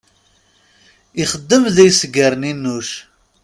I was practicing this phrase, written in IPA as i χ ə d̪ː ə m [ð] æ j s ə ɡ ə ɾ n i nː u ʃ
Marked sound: correct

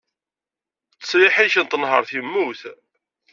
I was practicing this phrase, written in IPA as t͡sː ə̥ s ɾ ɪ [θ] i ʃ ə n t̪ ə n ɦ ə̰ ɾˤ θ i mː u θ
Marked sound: incorrect: ħ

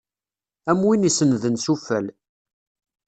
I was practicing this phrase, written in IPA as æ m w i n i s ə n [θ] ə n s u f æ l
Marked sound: incorrect: ð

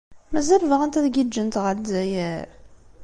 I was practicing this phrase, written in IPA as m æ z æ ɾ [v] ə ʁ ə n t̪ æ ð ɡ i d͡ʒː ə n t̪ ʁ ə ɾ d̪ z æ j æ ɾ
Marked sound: correct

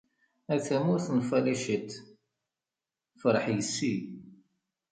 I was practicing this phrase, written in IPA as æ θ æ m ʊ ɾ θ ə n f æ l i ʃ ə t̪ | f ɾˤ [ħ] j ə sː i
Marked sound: correct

